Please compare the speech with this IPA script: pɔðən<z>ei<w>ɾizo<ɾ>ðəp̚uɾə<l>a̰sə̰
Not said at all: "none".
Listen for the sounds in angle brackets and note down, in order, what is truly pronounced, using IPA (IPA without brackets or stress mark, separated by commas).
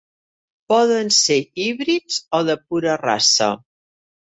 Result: s, β, none, r